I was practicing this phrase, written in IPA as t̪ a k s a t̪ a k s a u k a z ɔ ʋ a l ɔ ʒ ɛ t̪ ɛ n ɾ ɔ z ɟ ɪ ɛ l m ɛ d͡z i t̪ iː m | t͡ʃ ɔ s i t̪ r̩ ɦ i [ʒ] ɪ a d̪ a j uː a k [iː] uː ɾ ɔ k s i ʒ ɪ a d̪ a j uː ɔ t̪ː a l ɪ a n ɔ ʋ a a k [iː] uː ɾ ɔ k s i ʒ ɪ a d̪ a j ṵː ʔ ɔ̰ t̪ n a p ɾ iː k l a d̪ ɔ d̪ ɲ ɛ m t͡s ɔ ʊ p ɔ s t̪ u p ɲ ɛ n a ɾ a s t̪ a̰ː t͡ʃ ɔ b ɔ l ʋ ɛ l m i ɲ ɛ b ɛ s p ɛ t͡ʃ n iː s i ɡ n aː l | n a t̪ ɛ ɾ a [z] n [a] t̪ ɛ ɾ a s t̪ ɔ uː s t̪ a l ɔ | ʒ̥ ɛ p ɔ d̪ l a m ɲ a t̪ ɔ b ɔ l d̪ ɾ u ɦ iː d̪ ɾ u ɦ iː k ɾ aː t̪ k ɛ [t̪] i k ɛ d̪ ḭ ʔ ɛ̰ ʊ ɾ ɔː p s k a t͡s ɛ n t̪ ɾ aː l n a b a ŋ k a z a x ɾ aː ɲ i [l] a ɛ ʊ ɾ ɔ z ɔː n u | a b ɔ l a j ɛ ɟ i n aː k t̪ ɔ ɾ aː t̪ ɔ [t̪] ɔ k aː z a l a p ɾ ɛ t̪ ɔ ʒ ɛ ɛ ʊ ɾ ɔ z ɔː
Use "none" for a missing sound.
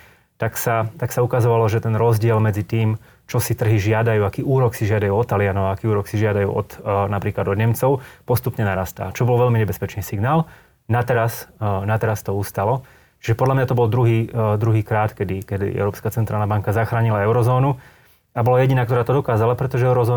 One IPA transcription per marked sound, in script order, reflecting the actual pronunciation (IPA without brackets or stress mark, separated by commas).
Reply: ʒ, iː, iː, s, a, d̪, l, d̪